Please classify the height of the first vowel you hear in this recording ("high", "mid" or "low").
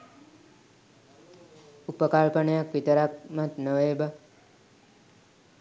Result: high